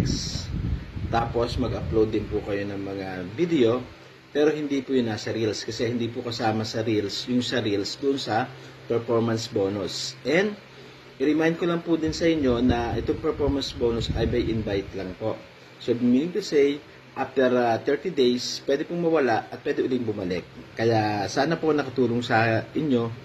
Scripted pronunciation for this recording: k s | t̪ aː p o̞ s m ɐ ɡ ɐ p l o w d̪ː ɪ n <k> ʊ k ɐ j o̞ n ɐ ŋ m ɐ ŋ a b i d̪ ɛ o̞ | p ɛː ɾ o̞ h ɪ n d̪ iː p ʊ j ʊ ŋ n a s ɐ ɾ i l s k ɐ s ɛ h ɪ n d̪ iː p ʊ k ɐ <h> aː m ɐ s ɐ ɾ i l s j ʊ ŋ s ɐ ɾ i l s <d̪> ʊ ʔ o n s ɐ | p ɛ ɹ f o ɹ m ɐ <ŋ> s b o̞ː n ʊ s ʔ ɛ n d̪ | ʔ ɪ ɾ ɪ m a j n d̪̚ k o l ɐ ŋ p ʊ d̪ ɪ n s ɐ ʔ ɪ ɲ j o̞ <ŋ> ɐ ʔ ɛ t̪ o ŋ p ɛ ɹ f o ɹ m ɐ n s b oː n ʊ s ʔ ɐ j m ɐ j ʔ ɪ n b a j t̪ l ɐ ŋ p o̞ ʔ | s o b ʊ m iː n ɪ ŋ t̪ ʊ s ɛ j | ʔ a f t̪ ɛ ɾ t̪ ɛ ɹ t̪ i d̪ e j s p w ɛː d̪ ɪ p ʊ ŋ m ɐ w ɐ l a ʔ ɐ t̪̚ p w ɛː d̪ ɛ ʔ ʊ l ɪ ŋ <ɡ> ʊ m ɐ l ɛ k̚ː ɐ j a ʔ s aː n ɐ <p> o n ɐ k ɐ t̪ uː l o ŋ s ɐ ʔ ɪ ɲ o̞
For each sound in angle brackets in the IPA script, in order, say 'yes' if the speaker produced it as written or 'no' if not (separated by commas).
no, no, yes, no, no, no, yes